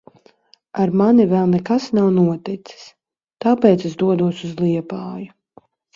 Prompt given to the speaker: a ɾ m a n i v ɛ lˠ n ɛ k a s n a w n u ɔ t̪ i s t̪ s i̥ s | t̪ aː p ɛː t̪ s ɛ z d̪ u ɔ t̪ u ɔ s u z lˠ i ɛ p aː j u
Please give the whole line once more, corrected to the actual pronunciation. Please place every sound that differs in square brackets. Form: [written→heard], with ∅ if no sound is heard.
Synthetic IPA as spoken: a ɾ m a n i v ɛ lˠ n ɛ k a s n a w n u ɔ t̪ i [s→∅] t̪ s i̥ s | t̪ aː p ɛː t̪ s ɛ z d̪ u ɔ [t̪→d̪] u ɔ s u z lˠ i ɛ p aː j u